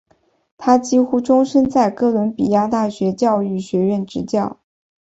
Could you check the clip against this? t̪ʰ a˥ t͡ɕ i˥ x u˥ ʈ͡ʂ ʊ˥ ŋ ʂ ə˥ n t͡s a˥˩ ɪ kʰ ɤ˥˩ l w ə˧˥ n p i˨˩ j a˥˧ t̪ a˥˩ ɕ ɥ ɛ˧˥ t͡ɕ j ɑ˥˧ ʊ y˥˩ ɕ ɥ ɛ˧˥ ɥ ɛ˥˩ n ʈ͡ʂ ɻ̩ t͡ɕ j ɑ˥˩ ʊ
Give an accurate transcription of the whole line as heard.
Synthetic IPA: t̪ʰ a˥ t͡ɕ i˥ x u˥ ʈ͡ʂ ʊ˥ ŋ ʂ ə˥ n t͡s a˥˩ ɪ k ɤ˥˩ l w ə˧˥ n p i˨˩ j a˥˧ t̪ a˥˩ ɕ ɥ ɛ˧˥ t͡ɕ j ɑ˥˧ ʊ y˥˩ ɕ ɥ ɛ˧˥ ɥ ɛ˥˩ n ʈ͡ʂ ɻ̩ t͡ɕ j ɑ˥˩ ʊ

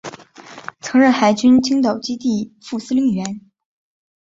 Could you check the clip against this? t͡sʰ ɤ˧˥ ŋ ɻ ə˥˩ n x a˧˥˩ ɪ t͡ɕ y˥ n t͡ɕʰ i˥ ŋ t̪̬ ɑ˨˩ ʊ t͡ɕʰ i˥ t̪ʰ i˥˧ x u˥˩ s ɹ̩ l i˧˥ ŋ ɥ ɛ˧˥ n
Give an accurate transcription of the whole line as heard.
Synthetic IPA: t͡sʰ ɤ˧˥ ŋ ɻ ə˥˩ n x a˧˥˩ ɪ t͡ɕ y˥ n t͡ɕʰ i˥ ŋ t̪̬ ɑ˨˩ ʊ t͡ɕ i˥ t̪ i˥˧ f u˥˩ s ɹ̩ l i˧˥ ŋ ɥ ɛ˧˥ n

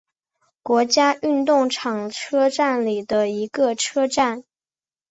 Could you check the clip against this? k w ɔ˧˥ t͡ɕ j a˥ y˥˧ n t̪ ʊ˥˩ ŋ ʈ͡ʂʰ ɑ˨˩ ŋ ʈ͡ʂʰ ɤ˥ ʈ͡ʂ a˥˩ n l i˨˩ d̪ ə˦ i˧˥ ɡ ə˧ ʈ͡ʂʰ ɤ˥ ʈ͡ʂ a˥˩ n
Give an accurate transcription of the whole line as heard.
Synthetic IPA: k w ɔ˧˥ t͡ɕ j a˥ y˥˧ n t̪ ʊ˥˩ ŋ ʈ͡ʂʰ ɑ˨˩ ŋ ʈ͡ʂʰ ɤ˥ ʈ͡ʂ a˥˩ n l i˨˩ d̪ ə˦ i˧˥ ɡ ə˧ ʈ͡ʂʰ ɤ˥ ʈ͡ʂ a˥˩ n

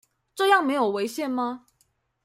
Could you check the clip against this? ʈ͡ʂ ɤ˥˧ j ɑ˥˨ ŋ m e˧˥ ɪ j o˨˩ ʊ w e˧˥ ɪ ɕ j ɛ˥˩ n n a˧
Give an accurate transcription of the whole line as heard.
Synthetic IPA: ʈ͡ʂ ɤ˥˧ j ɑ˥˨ ŋ m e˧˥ ɪ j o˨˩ ʊ w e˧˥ ɪ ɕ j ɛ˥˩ n m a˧

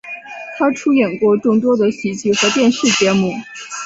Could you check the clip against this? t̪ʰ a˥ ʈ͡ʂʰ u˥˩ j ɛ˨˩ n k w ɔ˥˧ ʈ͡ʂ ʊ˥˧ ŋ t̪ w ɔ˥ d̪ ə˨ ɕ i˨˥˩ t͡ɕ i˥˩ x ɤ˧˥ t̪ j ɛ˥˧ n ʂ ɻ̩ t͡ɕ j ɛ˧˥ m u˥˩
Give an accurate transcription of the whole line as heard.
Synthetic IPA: t̪ʰ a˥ ʈ͡ʂʰ u˥ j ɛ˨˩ n k w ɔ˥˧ ʈ͡ʂ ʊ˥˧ ŋ t̪ w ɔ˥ d̪ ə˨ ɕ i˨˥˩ t͡ɕ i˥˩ x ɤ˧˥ t̪ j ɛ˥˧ n ʂ ɻ̩ t͡ɕ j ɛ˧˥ m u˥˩

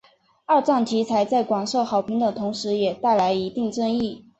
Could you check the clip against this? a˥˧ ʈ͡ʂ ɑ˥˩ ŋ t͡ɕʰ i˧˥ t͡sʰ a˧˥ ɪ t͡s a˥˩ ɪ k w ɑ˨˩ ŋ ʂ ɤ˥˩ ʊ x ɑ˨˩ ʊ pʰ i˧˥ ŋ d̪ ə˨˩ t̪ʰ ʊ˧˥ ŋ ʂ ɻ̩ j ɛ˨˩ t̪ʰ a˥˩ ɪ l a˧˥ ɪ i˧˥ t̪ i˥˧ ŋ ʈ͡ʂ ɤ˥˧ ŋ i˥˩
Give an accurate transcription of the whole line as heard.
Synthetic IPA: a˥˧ ʈ͡ʂ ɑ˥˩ ŋ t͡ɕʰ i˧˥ t͡sʰ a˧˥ ɪ t͡s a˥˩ ɪ k w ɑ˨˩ ŋ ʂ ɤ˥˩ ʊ x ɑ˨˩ ʊ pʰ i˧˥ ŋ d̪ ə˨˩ t̪ʰ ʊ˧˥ ŋ ʂ ɻ̩ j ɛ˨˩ t̪ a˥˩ ɪ l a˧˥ ɪ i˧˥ t̪ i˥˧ ŋ ʈ͡ʂ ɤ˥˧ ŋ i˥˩

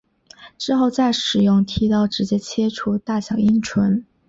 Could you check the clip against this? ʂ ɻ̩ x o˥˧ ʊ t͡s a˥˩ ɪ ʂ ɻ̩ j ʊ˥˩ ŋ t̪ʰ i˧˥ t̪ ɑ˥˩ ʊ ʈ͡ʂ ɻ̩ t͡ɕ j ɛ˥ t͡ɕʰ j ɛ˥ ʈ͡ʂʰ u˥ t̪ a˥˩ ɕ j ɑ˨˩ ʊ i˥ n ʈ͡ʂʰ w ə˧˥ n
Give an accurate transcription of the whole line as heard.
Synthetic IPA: ʈ͡ʂ ɻ̩ x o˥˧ ʊ t͡s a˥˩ ɪ ʂ ɻ̩ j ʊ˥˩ ŋ t̪ʰ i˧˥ t̪ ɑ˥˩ ʊ ʈ͡ʂ ɻ̩ t͡ɕ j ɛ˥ t͡ɕʰ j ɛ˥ ʈ͡ʂʰ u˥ t̪ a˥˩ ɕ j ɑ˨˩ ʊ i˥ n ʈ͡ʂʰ w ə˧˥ n

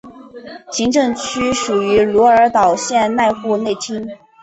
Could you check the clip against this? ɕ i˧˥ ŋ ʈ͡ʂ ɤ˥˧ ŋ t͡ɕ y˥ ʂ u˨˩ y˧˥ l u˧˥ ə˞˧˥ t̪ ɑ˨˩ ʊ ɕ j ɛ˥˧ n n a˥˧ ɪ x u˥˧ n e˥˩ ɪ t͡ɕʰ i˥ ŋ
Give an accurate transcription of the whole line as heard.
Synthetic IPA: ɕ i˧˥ ŋ ʈ͡ʂ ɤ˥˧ ŋ t͡ɕʰ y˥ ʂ u˨˩ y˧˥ l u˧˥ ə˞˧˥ t̪ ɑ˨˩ ʊ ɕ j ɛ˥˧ n n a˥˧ ɪ x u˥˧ n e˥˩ ɪ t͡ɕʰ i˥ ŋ

